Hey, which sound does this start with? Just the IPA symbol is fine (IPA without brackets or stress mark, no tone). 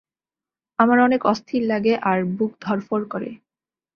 a